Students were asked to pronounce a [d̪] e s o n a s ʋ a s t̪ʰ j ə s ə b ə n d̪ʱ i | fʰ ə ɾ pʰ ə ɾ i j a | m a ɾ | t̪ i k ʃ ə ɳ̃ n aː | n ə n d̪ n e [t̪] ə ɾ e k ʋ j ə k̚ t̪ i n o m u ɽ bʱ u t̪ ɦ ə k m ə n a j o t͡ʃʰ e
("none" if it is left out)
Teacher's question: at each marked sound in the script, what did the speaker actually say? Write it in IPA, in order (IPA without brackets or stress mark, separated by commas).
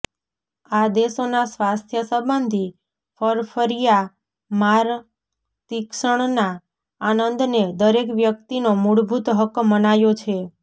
d̪, d̪